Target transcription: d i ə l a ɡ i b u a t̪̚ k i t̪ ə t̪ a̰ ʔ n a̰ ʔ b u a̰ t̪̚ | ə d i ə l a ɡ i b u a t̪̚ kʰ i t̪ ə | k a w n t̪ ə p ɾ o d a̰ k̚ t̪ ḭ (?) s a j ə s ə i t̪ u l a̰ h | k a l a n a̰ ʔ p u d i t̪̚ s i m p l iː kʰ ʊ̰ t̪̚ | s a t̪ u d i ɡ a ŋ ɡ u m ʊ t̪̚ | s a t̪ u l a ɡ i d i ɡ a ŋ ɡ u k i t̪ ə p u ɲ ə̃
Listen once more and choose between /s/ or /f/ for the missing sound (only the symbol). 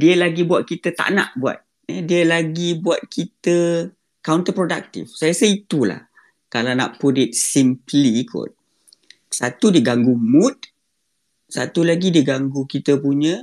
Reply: f